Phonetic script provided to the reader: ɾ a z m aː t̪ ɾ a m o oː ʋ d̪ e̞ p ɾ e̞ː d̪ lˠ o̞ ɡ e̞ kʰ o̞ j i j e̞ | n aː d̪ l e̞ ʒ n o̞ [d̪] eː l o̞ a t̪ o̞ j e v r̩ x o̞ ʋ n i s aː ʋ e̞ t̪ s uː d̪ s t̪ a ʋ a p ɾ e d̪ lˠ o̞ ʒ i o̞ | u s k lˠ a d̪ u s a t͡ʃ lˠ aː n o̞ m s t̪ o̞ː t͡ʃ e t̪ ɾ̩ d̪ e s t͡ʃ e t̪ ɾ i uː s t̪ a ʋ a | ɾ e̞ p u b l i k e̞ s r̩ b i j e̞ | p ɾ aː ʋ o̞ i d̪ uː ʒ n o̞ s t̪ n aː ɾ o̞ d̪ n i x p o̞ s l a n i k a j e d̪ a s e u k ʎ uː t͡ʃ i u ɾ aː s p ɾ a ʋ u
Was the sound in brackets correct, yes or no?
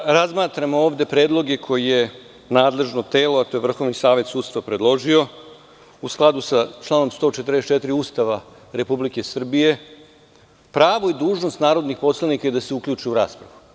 no